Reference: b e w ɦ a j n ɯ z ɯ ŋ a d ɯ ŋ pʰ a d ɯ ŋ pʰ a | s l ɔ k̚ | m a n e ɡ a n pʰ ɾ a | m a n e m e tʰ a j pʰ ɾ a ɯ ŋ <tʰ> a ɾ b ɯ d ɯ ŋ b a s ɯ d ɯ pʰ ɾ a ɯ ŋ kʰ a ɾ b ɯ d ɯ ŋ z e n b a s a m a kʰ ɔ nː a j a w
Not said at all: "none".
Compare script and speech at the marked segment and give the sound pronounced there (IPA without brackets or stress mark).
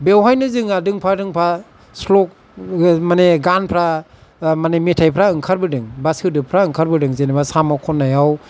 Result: kʰ